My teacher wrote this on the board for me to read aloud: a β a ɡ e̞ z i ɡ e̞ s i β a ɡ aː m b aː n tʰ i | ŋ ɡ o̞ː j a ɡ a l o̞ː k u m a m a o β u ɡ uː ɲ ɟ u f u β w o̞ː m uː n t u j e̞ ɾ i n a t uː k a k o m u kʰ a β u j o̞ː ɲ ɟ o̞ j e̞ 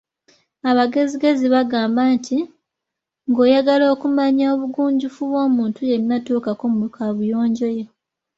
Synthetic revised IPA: a β a ɡ e̞ z i ɡ e̞ z i β a ɡ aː m b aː n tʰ i | ŋ ɡ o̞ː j a ɡ a l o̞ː k u m a ɲ a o β u ɡ uː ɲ ɟ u f u β w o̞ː m uː n t u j e̞ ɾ i n a t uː k a k o m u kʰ a β u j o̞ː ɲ ɟ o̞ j e̞